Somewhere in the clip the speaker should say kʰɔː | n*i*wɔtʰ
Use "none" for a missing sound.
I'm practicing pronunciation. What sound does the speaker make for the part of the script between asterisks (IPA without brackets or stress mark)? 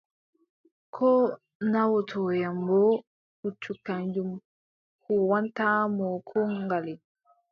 a